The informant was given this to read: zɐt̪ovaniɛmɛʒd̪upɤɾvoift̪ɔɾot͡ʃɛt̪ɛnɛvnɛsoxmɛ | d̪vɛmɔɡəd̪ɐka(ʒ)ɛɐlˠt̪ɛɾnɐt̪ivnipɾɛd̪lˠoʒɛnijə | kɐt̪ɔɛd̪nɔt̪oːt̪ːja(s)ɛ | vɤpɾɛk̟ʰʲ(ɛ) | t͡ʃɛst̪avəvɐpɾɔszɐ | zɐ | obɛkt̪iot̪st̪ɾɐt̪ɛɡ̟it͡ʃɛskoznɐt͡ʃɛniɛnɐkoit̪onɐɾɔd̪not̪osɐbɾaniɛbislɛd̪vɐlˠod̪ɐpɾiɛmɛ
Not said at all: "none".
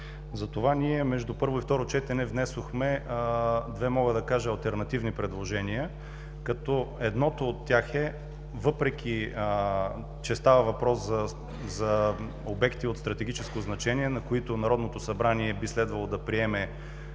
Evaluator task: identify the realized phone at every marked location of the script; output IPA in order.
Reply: ʒ, x, i

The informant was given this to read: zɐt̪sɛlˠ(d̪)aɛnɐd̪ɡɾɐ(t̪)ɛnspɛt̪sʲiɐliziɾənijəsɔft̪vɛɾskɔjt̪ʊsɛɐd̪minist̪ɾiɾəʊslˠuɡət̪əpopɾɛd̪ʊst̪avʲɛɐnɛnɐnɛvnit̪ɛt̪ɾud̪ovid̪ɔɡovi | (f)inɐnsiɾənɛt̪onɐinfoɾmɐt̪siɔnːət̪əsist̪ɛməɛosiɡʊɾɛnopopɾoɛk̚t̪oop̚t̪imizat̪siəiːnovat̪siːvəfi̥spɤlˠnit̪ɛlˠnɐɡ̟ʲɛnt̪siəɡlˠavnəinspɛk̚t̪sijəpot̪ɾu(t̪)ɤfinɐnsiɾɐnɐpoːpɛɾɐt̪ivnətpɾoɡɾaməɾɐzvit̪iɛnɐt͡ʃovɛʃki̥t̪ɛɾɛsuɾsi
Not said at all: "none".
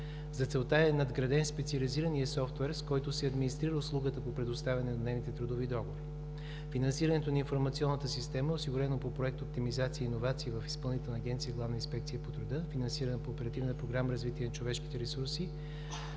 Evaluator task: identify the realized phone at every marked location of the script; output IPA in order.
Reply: t̪, d̪, f, d̪

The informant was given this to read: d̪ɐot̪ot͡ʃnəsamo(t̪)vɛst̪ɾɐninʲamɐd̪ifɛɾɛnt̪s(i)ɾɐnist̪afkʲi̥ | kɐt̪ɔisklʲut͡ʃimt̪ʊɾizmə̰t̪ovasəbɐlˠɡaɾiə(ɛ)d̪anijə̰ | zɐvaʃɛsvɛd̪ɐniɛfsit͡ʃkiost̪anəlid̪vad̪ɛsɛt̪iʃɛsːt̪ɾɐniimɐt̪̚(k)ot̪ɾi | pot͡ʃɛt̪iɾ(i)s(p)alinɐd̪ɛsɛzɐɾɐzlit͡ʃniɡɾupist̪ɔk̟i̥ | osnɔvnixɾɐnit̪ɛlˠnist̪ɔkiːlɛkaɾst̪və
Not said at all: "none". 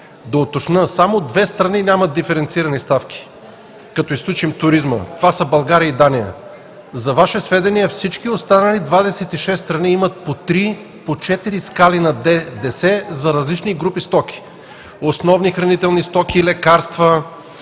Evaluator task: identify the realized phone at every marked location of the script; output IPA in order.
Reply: d̪, i, i, p, i, k

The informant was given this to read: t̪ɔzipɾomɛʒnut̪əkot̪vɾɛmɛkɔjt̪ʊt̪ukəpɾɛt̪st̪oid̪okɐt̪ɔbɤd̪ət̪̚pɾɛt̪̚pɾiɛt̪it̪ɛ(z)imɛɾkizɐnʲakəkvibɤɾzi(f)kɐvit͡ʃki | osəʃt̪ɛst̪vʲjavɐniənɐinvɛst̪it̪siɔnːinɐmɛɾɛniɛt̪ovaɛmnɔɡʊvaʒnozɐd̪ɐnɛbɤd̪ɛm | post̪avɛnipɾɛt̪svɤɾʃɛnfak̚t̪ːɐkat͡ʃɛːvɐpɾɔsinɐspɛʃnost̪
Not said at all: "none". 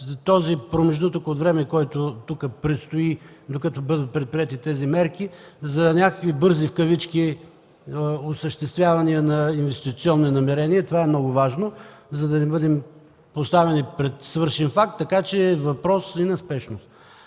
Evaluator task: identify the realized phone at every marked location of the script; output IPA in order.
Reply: z, f

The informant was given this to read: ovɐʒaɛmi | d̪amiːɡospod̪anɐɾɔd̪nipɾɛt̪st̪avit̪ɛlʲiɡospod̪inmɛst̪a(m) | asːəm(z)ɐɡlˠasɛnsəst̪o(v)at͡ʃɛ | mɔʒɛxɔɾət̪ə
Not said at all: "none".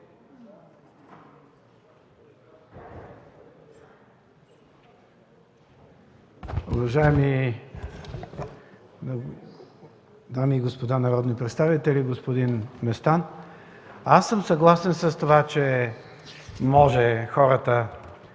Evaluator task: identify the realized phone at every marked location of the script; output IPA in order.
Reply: n, s, v

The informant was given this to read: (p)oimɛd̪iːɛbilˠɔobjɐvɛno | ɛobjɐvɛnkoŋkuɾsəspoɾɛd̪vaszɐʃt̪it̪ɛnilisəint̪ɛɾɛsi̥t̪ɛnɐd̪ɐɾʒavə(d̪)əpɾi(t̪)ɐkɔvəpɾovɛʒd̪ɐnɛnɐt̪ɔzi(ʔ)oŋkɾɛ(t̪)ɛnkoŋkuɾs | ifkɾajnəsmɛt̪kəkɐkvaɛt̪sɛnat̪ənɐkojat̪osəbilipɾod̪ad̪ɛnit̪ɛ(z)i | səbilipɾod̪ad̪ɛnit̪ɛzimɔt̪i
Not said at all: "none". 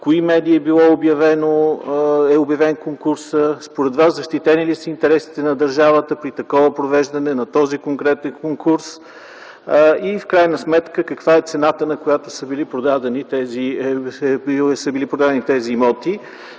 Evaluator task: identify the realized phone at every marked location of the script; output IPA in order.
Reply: k, t̪, t̪, k, t̪, z

